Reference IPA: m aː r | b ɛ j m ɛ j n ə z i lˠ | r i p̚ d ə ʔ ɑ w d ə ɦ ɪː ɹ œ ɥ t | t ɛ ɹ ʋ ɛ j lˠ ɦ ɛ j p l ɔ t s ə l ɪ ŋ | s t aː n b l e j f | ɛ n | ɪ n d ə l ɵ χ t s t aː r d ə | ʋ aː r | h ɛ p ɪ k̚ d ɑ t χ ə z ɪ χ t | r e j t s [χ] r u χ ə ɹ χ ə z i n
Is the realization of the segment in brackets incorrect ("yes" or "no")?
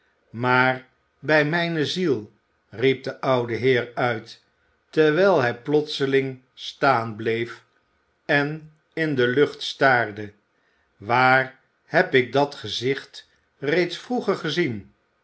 yes